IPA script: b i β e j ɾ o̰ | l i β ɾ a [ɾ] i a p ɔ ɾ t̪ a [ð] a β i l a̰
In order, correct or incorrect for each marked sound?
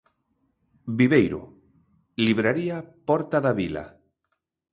correct, correct

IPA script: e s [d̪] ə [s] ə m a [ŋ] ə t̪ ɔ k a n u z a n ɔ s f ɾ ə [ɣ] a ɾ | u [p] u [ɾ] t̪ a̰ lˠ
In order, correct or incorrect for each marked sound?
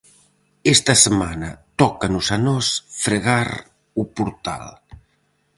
incorrect, correct, incorrect, correct, correct, correct

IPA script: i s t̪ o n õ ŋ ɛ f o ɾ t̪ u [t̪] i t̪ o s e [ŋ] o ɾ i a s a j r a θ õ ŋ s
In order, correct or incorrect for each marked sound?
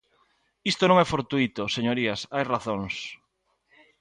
incorrect, incorrect

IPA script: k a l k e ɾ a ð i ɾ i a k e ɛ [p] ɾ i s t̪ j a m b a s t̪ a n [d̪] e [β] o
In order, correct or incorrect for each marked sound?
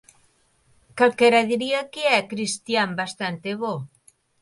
incorrect, incorrect, correct

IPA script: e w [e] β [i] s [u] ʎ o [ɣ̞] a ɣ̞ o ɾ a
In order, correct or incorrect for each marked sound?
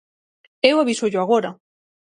incorrect, correct, incorrect, incorrect

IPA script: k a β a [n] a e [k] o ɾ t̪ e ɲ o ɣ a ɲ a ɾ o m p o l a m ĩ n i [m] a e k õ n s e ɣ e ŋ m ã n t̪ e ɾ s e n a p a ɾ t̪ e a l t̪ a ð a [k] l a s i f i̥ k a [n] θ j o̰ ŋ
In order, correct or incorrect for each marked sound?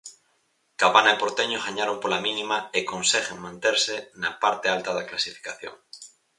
correct, incorrect, correct, correct, incorrect

